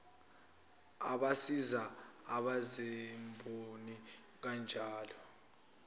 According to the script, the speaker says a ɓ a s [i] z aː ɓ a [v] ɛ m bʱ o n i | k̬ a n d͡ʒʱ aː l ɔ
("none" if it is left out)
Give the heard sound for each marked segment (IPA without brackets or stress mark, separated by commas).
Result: i, z